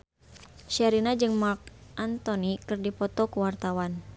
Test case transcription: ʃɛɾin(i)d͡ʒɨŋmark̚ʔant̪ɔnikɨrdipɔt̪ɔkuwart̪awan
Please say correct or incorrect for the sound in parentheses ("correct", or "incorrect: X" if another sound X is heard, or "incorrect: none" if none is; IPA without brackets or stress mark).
incorrect: a